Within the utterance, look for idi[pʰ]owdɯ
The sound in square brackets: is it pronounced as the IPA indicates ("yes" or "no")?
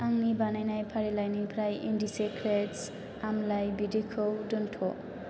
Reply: no